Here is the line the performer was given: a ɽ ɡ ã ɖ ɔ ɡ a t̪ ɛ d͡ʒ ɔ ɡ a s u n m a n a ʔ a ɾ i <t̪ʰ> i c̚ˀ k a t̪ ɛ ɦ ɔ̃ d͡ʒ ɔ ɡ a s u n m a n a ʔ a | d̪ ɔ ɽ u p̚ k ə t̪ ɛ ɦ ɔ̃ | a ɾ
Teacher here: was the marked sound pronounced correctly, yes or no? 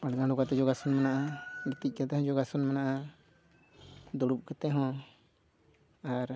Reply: no